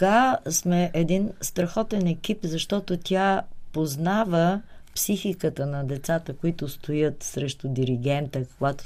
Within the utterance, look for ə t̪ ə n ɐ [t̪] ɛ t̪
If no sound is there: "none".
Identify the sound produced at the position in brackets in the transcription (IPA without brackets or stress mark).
d̪